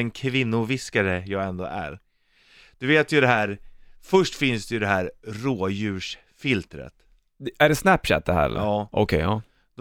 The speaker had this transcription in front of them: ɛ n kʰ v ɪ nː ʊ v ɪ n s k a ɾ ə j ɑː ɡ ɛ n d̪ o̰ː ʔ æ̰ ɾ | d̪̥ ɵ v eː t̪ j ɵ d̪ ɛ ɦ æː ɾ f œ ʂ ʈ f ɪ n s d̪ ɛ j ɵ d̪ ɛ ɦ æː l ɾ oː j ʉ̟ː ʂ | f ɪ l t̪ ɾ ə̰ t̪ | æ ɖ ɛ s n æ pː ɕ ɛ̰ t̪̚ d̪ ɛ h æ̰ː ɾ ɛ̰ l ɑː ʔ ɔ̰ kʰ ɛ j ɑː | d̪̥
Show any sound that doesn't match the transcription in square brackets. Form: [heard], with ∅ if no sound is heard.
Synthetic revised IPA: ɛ n kʰ v ɪ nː ʊ v ɪ [∅] s k a ɾ ə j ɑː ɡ ɛ n d̪ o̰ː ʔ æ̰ ɾ | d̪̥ ɵ v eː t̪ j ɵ d̪ ɛ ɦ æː ɾ f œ ʂ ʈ f ɪ n s d̪ ɛ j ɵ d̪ ɛ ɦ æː [ɾ] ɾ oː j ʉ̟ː ʂ | f ɪ l t̪ ɾ ə̰ t̪ | æ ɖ ɛ s n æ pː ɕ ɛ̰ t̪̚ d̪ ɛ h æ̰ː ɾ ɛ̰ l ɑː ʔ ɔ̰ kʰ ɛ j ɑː | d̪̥